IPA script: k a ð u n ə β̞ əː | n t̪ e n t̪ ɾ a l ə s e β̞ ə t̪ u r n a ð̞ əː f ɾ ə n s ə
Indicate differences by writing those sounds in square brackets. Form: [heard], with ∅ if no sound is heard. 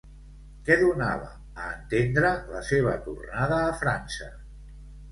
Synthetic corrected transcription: k [ɛ] ð u n [a] β̞ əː | n t̪ e n [d̪] ɾ [ə] l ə s e β̞ ə t̪ u r n a ð̞ əː f ɾ [a] n s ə